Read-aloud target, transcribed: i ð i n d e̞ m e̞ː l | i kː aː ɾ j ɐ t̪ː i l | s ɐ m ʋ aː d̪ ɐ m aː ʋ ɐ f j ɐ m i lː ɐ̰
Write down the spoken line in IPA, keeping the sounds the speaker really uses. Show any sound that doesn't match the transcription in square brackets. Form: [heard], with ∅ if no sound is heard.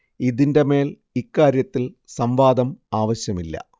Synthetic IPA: i ð i n d e̞ m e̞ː l | i kː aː ɾ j ɐ t̪ː i l | s ɐ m ʋ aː d̪ ɐ m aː ʋ ɐ [ɕ] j ɐ m i lː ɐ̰